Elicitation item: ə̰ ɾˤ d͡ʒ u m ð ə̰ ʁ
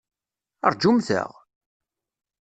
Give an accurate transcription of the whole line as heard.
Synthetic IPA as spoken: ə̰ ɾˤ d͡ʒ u m θ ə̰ ʁ

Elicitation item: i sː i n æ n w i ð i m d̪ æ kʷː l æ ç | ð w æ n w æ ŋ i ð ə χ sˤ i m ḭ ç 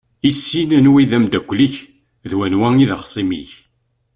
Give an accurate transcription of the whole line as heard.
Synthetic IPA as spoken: i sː i n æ n w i ð æ m d̪ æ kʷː l i ç | ð w æ n w æ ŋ i ð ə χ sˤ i m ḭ ç

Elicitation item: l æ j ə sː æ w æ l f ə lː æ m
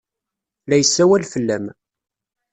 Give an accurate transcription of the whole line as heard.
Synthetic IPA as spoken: l æ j ə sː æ w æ l f ə lː æ m

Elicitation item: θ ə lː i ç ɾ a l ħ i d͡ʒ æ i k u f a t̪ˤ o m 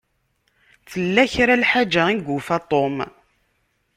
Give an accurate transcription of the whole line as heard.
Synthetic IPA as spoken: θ ə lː æ ç ɾ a l ħ a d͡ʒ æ i ɡ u f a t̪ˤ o m

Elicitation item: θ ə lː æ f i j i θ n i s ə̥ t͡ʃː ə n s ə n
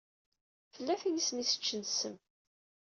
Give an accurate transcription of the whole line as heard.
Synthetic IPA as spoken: f ə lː æ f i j i s n i s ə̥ t͡ʃː ə n s ə m

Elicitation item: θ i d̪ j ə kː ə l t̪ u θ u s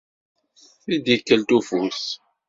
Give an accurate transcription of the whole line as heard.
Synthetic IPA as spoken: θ i d̪ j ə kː ə l t̪ u f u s

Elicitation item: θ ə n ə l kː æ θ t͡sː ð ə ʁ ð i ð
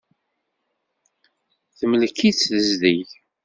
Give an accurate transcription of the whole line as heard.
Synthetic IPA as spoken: θ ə m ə l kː i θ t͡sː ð ə z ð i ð

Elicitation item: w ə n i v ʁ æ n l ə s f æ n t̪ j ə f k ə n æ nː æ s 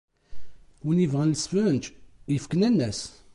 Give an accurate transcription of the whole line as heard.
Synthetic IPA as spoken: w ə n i v ʁ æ n l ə s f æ n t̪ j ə f k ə n æ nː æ s

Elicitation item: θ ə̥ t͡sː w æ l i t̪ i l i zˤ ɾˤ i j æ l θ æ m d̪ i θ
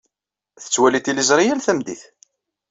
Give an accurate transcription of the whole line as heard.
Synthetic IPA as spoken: θ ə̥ t͡sː w æ l i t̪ i l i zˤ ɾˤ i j æ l θ æ m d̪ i θ

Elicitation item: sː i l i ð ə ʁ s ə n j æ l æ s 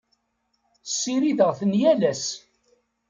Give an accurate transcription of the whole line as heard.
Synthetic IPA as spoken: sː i ɾ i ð ə ʁ θ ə n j æ l æ s

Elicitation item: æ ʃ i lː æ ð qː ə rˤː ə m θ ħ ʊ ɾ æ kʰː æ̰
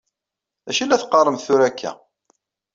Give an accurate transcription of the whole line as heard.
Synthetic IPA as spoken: æ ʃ i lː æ θ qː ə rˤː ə m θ θ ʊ ɾ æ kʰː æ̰

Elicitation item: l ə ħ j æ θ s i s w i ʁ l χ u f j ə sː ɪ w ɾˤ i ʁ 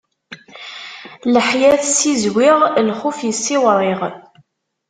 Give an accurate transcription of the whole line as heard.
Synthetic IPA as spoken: l ə ħ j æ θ s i z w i ʁ l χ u f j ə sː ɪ w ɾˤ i ʁ

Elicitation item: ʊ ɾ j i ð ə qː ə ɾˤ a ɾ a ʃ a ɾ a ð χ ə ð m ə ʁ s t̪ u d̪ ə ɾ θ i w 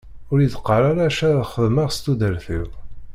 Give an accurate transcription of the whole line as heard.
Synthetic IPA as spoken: ʊ ɾ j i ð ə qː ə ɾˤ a ɾ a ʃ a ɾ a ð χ ə ð m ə ʁ s t̪ u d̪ ə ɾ θ i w

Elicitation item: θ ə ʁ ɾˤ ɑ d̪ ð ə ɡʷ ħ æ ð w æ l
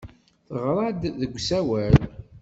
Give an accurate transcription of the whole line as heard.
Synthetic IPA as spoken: θ ə ʁ ɾˤ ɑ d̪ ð ə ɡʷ s æ w æ l

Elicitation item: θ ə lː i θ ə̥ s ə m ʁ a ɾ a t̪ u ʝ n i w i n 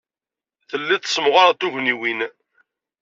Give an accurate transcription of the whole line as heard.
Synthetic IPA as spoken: θ ə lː i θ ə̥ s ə m ʁ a ɾ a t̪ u ʝ n i w i n

